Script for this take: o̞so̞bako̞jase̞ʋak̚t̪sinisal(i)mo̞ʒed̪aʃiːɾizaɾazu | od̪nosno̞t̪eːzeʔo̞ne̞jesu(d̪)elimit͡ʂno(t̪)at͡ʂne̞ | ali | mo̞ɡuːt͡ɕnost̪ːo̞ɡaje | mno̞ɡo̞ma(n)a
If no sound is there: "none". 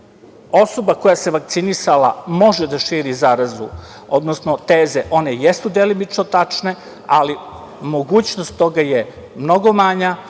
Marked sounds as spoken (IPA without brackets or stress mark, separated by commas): a, d̪, t̪, ɲ